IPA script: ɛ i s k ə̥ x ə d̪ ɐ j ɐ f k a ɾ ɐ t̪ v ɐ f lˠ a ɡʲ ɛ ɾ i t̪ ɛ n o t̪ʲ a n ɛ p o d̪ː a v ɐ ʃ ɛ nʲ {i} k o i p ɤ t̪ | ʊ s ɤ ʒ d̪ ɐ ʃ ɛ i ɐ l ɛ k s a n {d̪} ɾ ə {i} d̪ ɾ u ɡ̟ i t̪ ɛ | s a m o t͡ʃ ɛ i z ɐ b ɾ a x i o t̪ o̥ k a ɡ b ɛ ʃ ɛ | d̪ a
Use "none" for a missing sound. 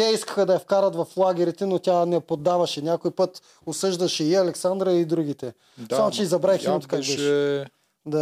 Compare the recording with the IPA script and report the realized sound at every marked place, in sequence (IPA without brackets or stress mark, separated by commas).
a, d̪, i